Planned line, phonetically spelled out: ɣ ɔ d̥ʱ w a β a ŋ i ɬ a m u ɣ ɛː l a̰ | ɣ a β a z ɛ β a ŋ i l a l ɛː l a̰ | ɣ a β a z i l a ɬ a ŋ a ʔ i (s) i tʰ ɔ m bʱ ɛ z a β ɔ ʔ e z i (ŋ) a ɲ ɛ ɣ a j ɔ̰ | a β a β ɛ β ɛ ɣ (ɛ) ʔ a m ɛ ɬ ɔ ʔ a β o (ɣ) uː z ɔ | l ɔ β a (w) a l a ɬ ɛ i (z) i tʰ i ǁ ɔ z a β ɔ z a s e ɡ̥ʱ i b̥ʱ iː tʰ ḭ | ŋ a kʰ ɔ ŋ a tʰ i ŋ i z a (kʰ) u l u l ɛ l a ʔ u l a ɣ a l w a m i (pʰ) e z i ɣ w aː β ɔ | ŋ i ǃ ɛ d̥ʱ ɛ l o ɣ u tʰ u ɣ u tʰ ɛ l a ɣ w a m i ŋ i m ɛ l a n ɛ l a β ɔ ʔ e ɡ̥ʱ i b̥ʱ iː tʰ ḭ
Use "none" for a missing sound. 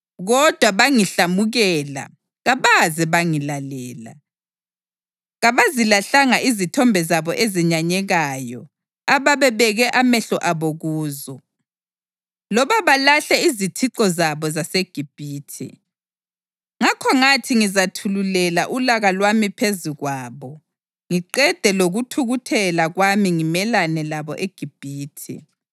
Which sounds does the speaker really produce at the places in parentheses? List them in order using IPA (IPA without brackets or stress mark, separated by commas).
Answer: z, ɲ, ɛ, ɣ, β, z, tʰ, pʰ